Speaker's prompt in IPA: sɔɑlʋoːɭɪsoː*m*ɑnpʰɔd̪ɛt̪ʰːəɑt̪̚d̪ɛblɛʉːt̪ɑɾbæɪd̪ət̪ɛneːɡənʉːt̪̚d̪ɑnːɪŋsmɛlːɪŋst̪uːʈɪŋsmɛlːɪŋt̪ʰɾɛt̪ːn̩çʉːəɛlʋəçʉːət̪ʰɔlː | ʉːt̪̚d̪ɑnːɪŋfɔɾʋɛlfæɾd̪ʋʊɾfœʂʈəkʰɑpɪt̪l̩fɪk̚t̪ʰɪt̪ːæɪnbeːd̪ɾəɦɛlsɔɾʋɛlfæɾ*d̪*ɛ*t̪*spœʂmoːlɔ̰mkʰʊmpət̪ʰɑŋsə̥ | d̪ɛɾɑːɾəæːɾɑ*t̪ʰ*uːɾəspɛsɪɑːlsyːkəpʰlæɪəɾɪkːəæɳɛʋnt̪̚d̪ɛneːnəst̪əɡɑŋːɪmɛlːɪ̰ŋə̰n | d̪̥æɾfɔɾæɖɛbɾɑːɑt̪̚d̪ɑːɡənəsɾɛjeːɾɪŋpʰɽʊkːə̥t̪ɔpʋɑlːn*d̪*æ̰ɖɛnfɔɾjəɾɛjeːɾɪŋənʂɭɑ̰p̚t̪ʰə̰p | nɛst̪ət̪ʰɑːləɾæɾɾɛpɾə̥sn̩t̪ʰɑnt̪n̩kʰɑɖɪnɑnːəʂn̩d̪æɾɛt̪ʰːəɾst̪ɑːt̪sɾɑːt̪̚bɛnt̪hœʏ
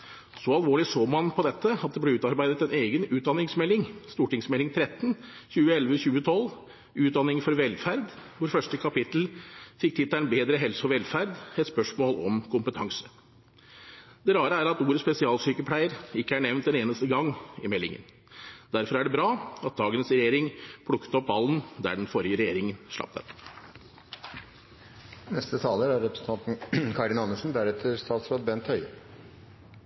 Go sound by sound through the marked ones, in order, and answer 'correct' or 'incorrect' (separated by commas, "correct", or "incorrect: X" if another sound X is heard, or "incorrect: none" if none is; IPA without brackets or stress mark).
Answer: correct, correct, correct, incorrect: t̪, correct